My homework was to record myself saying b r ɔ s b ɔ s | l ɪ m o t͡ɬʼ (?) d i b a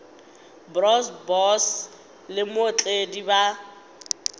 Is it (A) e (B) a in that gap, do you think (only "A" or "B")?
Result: A